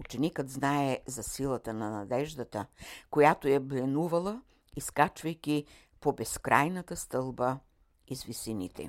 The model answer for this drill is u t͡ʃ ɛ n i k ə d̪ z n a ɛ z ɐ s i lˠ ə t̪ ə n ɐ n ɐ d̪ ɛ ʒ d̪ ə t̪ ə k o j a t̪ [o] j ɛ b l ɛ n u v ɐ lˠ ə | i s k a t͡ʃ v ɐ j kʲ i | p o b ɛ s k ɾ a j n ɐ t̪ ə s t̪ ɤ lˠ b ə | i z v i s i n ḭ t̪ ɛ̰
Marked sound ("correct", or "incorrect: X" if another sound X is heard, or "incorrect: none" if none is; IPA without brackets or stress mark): correct